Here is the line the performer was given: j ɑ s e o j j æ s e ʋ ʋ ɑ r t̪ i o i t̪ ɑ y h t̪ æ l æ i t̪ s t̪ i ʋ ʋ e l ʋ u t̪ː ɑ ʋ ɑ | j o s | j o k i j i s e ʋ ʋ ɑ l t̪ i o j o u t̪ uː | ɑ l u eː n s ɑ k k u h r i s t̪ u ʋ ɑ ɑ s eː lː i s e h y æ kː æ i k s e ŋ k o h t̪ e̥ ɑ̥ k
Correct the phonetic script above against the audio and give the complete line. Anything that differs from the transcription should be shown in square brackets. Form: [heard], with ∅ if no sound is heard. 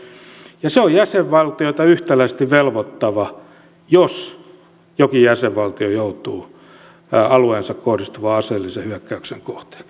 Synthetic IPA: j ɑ s e o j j æ s e ʋ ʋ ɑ [l] t̪ i o i t̪ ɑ y h t̪ æ l æ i [∅] s t̪ i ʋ ʋ e l ʋ [o] t̪ː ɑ ʋ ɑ | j o s | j o k i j [æ] s e ʋ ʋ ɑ l t̪ i o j o u t̪ uː | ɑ l u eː n s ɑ k k [o] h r i s t̪ u ʋ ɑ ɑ s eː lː i s e h y æ kː æ [y] k s e ŋ k o h t̪ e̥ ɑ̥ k